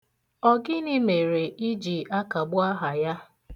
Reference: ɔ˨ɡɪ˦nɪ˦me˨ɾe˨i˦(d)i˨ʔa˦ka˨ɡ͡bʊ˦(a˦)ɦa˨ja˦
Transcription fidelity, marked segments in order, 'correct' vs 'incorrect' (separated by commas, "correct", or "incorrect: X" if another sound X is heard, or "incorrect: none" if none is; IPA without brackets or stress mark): incorrect: d͡ʒ, correct